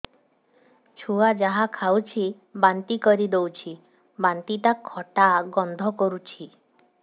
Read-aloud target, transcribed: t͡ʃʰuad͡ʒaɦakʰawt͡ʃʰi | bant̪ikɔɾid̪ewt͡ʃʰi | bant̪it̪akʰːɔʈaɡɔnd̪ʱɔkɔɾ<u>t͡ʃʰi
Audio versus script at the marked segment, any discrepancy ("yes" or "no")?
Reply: no